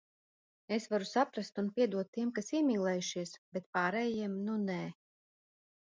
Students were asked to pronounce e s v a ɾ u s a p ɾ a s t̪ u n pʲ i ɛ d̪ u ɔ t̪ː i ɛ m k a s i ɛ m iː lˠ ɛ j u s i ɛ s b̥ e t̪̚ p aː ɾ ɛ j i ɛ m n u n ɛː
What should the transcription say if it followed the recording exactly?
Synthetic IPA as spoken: e s v a ɾ u s a p ɾ a s t̪ u n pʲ i ɛ d̪ u ɔ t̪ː i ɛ m k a s i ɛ m iː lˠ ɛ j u ʃ i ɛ s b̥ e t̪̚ p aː ɾ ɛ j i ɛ m n u n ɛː